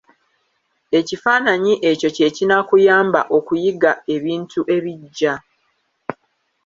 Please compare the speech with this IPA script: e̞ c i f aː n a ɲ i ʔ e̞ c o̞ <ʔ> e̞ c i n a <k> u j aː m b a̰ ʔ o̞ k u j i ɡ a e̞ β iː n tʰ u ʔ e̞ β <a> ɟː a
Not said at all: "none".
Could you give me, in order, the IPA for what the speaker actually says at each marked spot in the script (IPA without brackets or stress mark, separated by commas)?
c, k, i